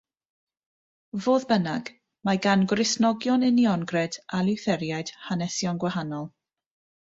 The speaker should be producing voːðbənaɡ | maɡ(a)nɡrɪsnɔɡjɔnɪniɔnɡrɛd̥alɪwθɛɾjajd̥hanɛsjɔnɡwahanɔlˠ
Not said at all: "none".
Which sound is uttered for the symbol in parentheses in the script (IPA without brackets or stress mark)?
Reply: a